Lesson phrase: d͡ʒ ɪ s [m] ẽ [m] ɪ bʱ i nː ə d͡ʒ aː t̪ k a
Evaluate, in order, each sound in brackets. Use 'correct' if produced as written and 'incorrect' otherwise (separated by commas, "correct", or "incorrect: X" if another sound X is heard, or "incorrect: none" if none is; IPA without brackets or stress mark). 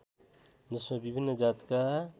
correct, incorrect: b